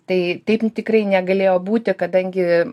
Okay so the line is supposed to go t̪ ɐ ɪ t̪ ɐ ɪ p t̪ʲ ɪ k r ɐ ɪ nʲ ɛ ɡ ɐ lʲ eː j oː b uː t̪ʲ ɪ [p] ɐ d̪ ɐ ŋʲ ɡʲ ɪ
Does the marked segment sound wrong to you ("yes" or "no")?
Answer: yes